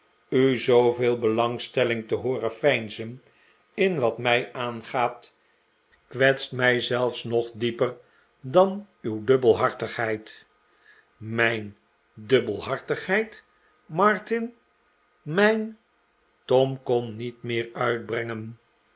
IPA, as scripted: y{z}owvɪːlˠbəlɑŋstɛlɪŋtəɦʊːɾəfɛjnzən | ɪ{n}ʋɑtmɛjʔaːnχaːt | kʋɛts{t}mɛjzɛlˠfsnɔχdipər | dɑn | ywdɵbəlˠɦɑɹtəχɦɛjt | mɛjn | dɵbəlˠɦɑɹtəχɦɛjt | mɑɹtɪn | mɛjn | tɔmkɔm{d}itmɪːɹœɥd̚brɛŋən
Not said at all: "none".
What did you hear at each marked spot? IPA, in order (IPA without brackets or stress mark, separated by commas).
z, n, t, n